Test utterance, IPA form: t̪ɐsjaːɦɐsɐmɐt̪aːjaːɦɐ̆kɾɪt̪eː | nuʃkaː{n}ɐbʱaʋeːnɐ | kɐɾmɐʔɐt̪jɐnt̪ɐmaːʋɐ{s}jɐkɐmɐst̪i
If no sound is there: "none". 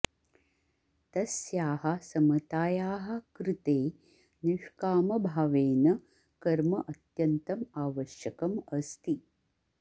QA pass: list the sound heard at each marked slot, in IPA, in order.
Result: m, ʃ

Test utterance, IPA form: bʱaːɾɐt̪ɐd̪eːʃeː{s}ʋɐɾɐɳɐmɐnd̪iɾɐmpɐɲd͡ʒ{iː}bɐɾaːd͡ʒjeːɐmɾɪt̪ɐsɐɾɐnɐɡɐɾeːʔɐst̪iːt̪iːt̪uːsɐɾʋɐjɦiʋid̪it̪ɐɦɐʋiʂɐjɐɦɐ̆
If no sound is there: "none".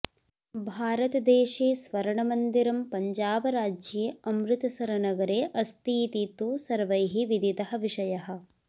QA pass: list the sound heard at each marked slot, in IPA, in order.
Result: s, aː

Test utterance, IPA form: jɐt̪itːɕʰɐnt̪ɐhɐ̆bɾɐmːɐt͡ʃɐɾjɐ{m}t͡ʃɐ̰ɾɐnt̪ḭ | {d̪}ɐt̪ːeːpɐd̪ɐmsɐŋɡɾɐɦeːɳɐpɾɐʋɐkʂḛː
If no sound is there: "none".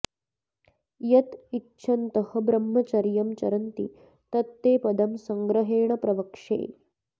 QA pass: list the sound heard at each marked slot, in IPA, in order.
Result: m, t̪

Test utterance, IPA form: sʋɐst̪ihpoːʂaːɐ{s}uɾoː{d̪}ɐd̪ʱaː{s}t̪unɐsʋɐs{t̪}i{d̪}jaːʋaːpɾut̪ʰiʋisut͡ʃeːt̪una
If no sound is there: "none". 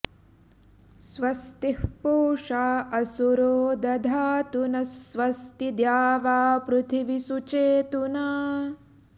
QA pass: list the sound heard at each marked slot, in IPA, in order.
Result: s, d̪, none, t̪, d̪

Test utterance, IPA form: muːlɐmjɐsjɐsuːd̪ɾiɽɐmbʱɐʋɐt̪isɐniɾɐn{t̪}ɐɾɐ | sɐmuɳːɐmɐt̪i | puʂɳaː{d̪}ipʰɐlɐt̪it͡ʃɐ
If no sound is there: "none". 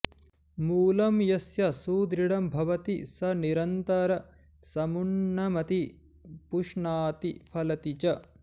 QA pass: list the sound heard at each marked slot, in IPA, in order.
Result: t̪, t̪

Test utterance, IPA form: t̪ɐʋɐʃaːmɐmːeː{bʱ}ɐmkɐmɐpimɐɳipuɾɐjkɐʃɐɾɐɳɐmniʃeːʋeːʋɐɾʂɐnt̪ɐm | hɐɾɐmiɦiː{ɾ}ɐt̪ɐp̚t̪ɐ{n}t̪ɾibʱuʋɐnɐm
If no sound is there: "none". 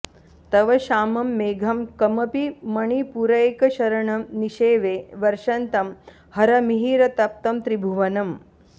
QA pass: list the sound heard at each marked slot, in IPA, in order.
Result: ɡʱ, ɾ, m

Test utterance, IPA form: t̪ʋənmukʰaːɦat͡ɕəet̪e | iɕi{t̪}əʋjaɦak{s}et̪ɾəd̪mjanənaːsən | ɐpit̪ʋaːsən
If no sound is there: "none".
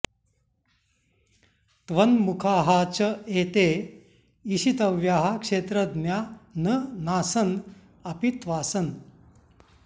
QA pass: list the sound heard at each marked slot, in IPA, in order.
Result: t̪, ʂ

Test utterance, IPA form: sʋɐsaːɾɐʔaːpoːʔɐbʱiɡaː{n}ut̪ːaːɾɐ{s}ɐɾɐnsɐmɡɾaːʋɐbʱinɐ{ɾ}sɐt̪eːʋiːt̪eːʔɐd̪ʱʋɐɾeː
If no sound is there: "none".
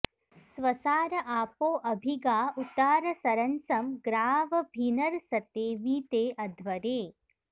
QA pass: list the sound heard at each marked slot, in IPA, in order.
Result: none, s, ɾ

